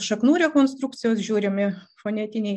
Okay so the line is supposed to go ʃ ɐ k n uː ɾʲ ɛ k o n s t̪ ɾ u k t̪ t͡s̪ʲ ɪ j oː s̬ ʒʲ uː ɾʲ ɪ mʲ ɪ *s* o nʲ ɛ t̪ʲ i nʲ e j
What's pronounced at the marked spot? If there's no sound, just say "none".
f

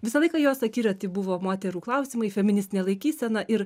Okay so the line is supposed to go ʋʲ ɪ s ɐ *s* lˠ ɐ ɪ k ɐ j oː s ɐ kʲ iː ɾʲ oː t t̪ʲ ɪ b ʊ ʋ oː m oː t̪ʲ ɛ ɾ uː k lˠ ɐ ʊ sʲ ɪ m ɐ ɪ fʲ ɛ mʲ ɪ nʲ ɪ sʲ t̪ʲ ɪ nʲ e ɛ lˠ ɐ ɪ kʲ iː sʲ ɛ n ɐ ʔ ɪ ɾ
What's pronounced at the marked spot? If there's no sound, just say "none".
none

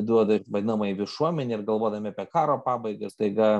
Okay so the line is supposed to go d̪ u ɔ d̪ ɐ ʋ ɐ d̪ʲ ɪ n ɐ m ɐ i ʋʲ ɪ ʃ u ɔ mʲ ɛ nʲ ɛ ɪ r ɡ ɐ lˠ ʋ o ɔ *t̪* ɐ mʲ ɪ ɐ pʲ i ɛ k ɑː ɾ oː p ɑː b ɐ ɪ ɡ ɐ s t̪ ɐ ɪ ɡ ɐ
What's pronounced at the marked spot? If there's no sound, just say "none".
d̪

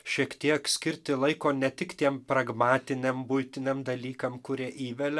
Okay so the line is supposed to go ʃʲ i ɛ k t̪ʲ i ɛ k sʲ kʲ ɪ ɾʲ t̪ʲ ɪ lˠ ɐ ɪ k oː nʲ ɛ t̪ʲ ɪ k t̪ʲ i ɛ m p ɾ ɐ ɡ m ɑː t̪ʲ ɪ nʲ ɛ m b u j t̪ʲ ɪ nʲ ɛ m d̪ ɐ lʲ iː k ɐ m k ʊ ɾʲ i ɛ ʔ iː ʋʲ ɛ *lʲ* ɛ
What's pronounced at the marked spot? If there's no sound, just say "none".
lʲ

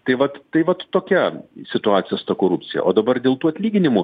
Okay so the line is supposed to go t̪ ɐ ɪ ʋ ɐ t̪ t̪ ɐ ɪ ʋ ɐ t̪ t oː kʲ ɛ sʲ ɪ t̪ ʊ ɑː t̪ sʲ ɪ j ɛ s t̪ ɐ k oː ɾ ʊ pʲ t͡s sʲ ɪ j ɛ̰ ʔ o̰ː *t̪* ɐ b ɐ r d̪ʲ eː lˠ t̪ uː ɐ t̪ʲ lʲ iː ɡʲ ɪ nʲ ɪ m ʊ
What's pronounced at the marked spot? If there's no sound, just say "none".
d̪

